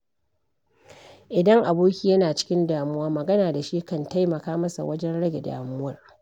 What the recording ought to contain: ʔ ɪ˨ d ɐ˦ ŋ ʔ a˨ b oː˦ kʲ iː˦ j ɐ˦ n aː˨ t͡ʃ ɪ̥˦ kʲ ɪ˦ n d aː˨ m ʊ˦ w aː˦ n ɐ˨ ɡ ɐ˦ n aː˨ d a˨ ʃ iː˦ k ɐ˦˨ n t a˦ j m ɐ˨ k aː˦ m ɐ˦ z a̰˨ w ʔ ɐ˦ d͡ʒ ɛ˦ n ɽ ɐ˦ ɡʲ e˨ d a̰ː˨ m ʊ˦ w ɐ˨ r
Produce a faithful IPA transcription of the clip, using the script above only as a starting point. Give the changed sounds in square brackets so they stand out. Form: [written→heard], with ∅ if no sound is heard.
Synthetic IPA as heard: ʔ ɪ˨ d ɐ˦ ŋ ʔ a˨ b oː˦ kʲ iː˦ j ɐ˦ n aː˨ t͡ʃ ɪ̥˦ kʲ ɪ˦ n d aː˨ m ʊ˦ w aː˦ [n→m] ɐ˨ ɡ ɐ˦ n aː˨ d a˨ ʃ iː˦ k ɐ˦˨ n t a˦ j m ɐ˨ k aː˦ m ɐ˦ [z→s] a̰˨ w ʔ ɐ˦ d͡ʒ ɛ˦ n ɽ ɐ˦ ɡʲ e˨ d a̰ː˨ m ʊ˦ w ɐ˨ r